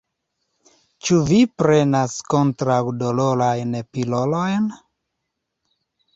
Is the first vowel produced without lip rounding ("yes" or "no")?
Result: no